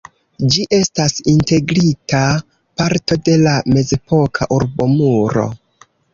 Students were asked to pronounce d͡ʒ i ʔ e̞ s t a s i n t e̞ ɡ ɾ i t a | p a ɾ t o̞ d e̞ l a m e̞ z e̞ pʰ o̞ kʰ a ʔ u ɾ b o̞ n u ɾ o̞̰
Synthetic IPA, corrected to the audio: d͡ʒ i ʔ e̞ s t a s i n t e̞ ɡ ɾ i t a | p a ɾ t o̞ d e̞ l a m e̞ z e̞ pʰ o̞ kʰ a ʔ u ɾ b o̞ m u ɾ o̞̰